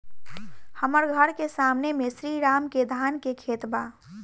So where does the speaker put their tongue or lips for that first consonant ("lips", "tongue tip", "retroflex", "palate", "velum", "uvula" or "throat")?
throat